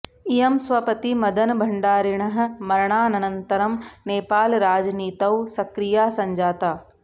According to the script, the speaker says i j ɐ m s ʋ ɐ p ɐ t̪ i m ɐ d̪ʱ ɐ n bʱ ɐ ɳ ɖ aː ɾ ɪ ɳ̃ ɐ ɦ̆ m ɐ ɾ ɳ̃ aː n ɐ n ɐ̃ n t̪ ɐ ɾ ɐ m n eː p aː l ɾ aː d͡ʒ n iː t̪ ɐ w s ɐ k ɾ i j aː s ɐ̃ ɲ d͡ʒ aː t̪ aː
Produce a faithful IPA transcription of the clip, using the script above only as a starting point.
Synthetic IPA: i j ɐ m s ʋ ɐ p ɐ t̪ i m ɐ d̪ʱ ɐ n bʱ ɐ ɳ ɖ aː ɾ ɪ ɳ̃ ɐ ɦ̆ m ɐ ɾ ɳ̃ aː n ɐ n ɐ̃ n t̪ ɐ ɾ ɐ m n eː p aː l ɾ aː d͡ʒ n iː t̪ ɐ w s ɐ k ɾ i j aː s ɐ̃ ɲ d͡ʒ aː t̪ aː